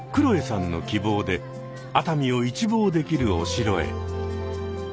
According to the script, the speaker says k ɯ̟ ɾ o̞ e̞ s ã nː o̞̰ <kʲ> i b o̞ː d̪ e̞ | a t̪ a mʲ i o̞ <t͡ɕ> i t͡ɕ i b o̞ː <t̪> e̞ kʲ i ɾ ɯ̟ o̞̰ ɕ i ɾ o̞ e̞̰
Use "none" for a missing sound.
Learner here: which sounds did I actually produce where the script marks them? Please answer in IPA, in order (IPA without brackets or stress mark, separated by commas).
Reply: kʲ, none, d̪